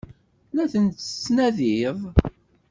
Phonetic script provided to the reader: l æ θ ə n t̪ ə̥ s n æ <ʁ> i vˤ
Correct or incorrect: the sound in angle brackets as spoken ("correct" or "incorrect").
incorrect